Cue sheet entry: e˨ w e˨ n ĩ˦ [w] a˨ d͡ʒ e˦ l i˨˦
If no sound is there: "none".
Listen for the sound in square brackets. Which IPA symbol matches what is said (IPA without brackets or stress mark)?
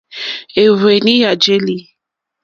none